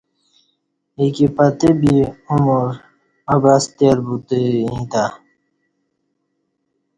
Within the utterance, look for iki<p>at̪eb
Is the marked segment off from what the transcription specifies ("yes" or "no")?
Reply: no